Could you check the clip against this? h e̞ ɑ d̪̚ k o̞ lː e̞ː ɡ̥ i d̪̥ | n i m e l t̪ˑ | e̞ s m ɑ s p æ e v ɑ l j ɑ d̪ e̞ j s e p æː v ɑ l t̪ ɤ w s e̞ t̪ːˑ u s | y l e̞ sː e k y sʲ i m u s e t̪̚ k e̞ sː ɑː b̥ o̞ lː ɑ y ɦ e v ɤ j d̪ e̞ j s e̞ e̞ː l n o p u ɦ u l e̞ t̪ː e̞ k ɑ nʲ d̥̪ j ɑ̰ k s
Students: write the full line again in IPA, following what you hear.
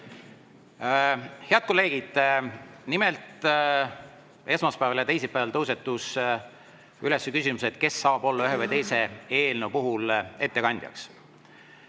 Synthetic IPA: h e̞ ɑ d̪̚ k o̞ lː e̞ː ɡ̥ i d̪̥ | n i m e l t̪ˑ | e̞ s m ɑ s p æ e v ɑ l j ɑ t̪ e̞ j s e p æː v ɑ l t̪ ɤ w s e̞ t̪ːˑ u s | y l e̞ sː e k y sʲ i m u s e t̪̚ k e̞ sː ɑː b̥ o̞ lː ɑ y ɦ e v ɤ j t̪ e̞ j s e̞ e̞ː l n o p u ɦ u l e̞ t̪ː e̞ k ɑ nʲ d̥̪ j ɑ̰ k s